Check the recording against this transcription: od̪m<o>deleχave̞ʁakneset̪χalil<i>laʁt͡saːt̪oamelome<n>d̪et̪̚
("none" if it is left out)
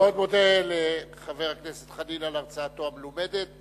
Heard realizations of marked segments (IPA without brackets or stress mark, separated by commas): o, a, none